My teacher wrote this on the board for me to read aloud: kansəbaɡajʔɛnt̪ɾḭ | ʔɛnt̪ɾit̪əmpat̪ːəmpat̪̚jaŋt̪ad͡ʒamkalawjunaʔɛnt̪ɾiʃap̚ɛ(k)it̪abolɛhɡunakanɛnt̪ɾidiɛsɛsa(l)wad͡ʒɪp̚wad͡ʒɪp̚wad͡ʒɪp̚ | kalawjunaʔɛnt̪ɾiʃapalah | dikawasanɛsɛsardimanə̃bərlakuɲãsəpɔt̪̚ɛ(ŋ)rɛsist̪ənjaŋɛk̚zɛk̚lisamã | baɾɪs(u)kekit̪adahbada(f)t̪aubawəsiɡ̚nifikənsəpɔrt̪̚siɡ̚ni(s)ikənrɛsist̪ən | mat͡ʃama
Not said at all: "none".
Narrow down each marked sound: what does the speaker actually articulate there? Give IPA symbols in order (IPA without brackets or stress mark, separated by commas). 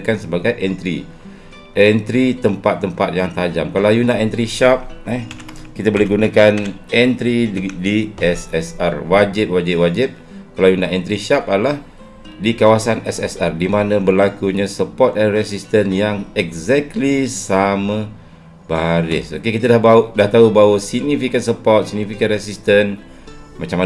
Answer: k, r, n, o, h, f